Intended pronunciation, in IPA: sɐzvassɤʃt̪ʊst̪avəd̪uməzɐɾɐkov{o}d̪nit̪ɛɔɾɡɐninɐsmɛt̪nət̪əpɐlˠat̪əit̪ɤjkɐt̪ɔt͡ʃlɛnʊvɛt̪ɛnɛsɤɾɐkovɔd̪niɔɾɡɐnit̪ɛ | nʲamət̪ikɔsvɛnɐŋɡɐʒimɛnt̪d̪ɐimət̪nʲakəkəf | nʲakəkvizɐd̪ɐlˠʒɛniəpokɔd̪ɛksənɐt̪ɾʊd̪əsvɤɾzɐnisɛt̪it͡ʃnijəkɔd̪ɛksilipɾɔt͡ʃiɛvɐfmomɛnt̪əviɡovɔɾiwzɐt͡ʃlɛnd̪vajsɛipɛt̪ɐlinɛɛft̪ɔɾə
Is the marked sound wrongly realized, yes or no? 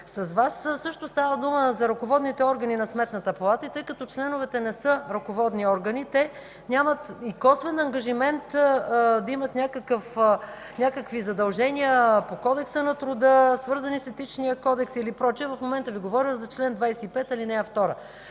yes